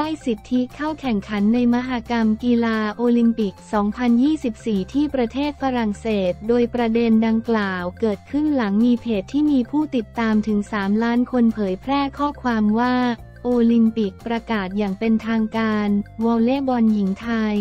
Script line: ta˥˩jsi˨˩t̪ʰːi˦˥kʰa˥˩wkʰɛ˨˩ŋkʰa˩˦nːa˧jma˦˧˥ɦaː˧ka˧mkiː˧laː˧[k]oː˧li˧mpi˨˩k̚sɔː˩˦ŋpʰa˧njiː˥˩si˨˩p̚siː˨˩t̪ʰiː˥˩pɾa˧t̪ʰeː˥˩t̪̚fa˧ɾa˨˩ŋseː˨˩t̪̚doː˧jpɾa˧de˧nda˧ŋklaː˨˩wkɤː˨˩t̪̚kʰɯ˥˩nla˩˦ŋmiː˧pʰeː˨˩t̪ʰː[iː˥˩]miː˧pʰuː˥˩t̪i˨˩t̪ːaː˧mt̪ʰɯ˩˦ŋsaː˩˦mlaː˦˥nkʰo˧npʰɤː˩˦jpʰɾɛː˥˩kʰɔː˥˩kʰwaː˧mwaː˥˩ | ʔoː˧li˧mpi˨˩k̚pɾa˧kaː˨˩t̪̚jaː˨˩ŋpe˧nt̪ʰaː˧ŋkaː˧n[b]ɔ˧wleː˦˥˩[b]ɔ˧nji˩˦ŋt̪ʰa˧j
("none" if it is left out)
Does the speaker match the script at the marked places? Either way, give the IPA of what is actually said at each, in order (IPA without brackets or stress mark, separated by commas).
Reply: ʔ, iː˥˩, w, b